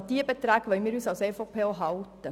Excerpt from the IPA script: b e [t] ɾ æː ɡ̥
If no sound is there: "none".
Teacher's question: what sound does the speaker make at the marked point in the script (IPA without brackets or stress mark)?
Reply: t